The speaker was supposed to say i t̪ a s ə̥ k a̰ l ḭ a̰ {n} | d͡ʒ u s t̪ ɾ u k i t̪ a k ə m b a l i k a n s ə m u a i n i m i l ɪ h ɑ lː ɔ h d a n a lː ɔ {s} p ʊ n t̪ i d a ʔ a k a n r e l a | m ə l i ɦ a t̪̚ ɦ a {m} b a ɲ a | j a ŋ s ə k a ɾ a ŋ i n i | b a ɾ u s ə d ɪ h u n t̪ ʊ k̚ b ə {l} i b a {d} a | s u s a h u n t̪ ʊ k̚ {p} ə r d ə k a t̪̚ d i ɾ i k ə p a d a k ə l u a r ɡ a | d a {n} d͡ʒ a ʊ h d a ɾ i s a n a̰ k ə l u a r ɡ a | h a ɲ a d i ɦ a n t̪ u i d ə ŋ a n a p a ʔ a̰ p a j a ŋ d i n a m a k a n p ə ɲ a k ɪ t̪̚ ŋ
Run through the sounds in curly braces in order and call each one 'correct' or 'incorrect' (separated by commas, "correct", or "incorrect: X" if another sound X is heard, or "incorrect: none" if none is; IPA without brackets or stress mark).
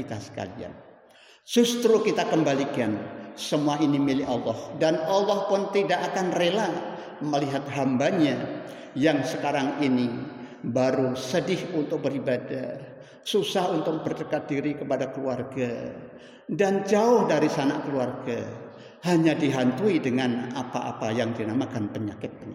correct, incorrect: h, correct, incorrect: ɾ, correct, incorrect: b, correct